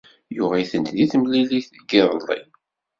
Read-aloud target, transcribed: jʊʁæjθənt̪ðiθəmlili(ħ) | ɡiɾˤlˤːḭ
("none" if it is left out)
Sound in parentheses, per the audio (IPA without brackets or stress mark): θ